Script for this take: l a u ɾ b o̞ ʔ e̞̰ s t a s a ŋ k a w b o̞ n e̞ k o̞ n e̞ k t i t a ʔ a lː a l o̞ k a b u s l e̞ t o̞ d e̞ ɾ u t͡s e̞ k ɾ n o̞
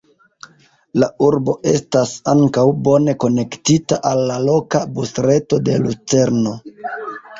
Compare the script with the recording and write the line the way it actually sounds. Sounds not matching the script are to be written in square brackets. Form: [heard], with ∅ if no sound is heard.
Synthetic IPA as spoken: l a u ɾ b o̞ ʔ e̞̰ s t a s a ŋ k a w b o̞ n e̞ k o̞ n e̞ k t i t a ʔ a lː a l o̞ k a b u s [ɾ] e̞ t o̞ d e̞ [l] u t͡s e̞ [∅] ɾ n o̞